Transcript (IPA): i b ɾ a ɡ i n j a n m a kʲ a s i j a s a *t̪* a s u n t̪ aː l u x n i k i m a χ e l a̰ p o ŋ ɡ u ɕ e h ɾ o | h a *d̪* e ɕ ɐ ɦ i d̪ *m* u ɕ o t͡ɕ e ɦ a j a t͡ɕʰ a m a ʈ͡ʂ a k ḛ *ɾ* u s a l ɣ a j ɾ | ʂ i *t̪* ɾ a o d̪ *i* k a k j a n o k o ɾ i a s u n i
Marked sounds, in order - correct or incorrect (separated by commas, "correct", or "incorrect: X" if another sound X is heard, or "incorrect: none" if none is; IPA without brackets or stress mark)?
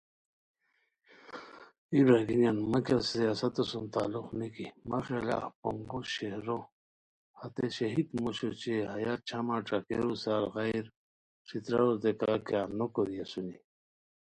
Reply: correct, incorrect: t̪, correct, correct, correct, incorrect: e